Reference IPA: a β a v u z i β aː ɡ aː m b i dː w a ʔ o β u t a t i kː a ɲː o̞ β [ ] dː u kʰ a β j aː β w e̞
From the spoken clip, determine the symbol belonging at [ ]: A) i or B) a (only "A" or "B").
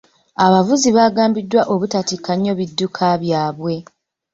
A